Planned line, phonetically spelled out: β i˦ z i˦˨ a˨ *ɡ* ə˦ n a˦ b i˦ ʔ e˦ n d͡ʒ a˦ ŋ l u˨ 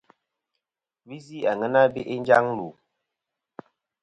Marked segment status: incorrect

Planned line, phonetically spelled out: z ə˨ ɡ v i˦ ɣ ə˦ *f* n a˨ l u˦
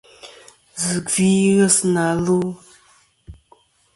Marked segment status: incorrect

